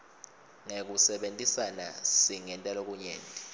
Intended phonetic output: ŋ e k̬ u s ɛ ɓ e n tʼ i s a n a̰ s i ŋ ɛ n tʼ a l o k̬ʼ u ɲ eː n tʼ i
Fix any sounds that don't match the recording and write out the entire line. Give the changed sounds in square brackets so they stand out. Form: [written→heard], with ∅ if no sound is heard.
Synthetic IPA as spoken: ŋ e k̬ u s ɛ ɓ e n tʼ i s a n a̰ s i ŋ ɛ n tʼ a l o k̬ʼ u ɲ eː n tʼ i